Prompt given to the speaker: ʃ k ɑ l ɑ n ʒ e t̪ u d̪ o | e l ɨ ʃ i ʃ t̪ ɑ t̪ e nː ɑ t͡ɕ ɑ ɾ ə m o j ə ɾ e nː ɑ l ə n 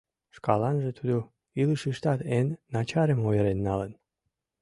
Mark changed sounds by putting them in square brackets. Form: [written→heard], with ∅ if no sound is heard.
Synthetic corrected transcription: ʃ k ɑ l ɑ n ʒ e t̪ u d̪ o | [e→i] l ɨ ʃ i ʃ t̪ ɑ t̪ e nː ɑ t͡ɕ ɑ ɾ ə m o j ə ɾ e nː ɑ l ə n